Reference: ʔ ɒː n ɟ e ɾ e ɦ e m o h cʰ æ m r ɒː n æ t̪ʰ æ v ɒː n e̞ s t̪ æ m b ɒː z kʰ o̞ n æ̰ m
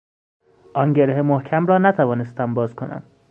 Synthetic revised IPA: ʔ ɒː n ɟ e ɾ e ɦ e m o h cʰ æ m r ɒː n æ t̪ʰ æ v ɒː n e̞ s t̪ æ m b ɒː z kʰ o̞ n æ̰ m